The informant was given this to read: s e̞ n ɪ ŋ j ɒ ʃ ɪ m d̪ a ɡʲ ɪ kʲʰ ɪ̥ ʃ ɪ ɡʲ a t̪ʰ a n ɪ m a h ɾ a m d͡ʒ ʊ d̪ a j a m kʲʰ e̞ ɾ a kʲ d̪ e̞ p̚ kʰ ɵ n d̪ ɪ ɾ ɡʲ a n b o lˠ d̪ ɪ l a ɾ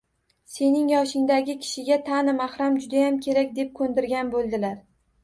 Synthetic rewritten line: s e̞ n ɪ ŋ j ɒ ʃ ɪ ŋ d̪ a ɡʲ ɪ kʲʰ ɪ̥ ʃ ɪ ɡʲ a t̪ʰ a n ɪ m a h ɾ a m d͡ʒ ʊ d̪ a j a m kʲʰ e̞ ɾ a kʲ d̪ e̞ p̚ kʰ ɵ n d̪ ɪ ɾ ɡʲ a n b o lˠ d̪ ɪ l a ɾ